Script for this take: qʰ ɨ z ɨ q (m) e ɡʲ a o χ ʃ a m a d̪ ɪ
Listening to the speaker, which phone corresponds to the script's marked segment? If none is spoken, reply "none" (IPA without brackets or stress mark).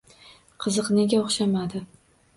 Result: n